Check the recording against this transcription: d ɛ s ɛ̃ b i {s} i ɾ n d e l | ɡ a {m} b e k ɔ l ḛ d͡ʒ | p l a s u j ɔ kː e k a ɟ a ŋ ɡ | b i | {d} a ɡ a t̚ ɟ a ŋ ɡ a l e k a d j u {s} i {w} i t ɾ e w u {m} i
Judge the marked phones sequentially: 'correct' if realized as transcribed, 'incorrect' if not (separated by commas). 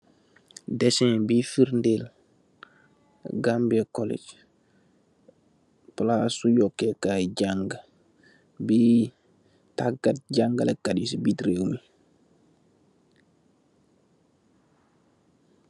incorrect, correct, incorrect, correct, incorrect, correct